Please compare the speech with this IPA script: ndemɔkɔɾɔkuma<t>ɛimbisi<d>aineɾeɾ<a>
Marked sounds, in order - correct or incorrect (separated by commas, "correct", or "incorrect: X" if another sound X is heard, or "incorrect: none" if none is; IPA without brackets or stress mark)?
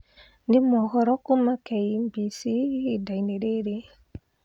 incorrect: k, correct, incorrect: e